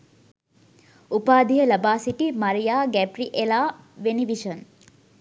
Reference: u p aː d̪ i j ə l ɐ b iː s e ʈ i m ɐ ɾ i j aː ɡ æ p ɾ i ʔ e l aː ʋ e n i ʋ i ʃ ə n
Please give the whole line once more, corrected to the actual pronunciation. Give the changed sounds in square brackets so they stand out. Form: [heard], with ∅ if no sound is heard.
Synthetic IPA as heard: u p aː d̪ i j ə l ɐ b [aː] s [i] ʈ i m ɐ ɾ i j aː ɡ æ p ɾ i ʔ e l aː ʋ e n i ʋ i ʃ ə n